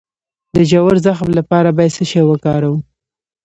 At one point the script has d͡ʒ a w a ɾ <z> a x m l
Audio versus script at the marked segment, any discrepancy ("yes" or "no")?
no